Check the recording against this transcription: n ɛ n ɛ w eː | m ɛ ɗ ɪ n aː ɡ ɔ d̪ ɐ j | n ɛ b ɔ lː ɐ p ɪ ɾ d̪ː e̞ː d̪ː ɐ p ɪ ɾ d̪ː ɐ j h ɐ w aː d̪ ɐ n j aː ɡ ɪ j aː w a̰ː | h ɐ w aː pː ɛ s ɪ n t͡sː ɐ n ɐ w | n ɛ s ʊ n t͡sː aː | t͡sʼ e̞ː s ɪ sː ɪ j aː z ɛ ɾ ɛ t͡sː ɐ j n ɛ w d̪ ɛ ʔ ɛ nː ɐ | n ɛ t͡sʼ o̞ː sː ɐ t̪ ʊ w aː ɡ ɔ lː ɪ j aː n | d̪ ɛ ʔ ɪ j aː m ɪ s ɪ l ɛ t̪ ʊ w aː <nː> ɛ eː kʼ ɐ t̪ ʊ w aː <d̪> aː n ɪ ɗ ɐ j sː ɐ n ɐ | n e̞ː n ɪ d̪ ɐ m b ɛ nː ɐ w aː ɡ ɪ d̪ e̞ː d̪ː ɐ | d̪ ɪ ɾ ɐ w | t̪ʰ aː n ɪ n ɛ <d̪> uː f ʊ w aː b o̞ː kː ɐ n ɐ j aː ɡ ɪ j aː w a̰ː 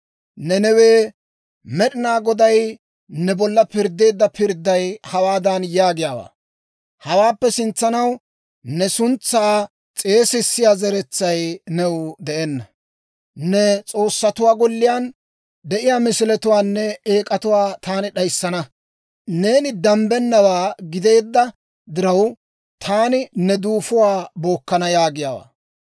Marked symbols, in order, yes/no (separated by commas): yes, no, yes